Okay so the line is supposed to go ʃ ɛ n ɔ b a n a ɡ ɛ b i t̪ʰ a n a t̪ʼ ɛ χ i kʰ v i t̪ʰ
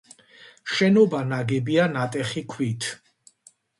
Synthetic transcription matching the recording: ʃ ɛ n ɔ b a n a ɡ ɛ b i a n a t̪ʼ ɛ χ i kʰ w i t̪ʰ